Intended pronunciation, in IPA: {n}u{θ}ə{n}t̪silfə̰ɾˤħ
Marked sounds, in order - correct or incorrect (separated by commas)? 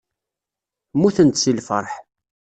incorrect, correct, correct